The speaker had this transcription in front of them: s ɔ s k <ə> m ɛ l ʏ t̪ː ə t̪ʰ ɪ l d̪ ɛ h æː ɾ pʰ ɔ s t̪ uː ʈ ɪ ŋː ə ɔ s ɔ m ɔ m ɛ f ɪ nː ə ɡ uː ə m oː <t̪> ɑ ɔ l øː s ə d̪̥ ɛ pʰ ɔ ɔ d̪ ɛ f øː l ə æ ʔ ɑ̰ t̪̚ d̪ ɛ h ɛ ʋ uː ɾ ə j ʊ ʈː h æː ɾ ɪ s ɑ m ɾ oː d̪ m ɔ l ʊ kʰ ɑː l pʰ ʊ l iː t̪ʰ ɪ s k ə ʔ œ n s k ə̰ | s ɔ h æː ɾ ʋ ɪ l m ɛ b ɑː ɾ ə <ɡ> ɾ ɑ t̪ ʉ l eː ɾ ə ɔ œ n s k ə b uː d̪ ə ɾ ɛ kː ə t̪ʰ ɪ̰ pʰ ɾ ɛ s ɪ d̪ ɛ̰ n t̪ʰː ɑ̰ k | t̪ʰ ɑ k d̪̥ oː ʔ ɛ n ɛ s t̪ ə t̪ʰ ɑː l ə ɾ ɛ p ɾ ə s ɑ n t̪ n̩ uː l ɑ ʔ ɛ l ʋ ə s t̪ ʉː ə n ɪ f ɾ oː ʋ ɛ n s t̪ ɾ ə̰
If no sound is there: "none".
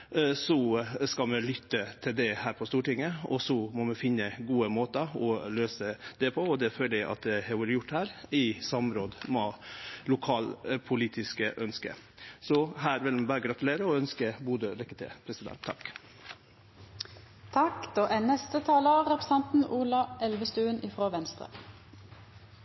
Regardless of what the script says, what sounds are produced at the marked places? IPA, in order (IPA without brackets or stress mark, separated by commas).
ɑ, t̪, ɡ